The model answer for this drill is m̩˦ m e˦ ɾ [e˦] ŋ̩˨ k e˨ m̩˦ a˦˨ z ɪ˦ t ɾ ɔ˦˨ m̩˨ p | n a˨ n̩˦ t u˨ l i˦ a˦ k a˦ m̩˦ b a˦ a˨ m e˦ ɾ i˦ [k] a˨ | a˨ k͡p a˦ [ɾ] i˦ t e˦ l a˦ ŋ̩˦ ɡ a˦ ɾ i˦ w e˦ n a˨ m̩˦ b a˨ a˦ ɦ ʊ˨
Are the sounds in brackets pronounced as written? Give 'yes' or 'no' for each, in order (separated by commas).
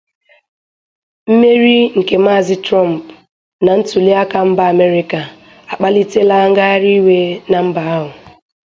no, yes, no